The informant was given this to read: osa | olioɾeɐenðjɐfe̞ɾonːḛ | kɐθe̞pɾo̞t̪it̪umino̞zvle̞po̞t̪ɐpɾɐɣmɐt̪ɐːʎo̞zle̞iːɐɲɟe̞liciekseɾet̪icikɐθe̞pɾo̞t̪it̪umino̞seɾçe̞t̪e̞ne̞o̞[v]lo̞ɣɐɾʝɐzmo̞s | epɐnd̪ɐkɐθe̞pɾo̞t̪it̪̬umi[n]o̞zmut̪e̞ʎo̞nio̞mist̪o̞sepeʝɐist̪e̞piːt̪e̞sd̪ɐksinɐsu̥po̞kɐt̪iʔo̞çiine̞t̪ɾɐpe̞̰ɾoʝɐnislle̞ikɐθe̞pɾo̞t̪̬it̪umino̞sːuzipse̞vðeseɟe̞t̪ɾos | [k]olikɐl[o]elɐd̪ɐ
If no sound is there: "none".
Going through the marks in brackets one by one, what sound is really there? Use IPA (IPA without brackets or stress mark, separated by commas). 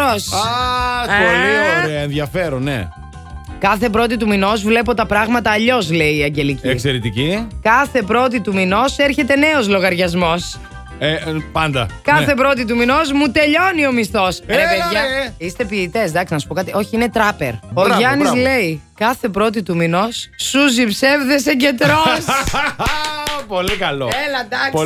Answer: z, n, p, o